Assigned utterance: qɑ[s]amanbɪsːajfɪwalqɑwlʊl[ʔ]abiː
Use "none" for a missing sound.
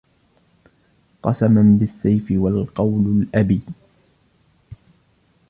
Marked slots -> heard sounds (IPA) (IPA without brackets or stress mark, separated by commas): s, ʔ